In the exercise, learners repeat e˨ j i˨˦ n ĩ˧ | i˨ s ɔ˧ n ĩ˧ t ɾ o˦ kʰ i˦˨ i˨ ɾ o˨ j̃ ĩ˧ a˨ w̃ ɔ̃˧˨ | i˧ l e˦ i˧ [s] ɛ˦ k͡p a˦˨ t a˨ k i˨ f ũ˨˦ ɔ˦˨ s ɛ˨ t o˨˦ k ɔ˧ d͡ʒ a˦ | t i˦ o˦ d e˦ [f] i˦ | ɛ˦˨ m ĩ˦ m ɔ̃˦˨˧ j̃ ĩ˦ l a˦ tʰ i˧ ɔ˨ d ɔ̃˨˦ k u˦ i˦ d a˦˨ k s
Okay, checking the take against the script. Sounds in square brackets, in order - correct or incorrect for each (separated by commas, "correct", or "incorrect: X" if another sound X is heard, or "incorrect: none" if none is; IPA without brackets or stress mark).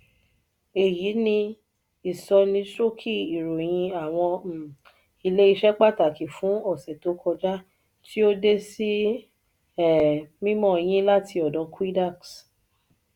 incorrect: ʃ, incorrect: s